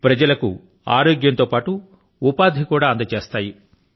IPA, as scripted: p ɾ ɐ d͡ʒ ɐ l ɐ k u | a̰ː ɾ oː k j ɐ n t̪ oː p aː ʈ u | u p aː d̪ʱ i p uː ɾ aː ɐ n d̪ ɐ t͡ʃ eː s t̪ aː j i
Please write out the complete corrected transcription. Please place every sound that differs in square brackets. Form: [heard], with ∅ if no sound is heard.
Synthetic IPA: p ɾ ɐ d͡ʒ ɐ l ɐ k u | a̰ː ɾ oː [ɡ] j ɐ n t̪ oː p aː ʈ u | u p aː d̪ʱ i [k] uː [ɽ] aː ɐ n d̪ ɐ t͡ʃ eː s t̪ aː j i